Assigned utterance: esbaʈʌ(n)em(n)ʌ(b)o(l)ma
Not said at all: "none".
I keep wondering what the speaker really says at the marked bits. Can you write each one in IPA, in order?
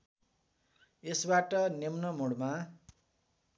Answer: n, n, m, ɽ

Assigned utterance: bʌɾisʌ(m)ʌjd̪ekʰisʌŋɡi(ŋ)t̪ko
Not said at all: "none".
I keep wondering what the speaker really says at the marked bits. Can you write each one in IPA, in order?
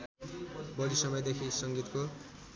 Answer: m, none

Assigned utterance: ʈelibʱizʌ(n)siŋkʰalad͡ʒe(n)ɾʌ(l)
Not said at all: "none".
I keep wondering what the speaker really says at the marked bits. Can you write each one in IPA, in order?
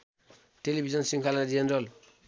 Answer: n, n, l

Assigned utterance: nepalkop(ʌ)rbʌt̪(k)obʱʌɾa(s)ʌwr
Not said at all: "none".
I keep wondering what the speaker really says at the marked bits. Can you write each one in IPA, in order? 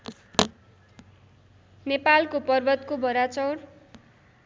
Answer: ʌ, k, t͡s

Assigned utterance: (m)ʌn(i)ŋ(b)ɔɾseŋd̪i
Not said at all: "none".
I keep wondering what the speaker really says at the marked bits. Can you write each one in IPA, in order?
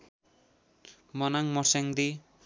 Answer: m, a, m

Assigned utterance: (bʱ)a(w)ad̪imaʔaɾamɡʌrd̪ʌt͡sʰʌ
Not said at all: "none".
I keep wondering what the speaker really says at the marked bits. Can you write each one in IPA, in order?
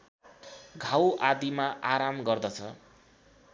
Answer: ɡʱ, w

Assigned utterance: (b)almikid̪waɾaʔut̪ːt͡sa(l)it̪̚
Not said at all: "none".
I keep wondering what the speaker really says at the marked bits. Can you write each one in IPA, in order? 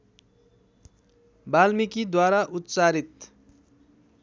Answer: b, ɾ

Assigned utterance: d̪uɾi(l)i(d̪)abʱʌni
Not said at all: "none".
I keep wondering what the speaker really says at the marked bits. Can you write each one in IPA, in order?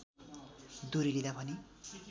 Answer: l, d̪

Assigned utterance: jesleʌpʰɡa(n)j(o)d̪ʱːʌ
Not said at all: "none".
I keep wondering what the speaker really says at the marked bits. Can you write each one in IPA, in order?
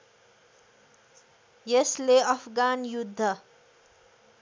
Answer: n, u

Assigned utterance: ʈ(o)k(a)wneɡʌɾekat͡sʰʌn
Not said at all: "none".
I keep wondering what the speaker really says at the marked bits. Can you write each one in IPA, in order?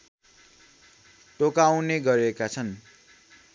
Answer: o, a

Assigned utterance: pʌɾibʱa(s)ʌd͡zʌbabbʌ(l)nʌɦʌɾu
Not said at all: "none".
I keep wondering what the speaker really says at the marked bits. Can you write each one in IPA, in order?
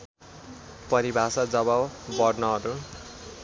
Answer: s, r

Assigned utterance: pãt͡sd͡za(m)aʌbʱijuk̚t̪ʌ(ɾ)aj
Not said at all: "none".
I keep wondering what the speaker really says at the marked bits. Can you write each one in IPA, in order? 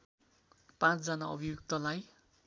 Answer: n, l

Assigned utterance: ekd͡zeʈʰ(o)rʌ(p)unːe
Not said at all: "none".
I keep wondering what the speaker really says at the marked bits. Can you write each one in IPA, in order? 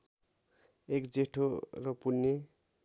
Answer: o, p

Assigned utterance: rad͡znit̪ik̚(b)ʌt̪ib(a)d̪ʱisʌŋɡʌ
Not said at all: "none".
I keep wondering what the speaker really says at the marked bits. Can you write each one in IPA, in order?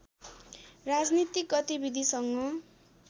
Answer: ɡ, i

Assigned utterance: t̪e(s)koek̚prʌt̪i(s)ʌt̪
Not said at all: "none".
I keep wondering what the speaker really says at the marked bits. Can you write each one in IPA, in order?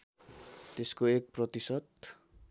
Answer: s, s

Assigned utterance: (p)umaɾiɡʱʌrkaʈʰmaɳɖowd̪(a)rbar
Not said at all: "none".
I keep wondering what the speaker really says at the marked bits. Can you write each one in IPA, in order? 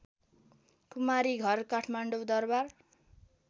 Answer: k, ʌ

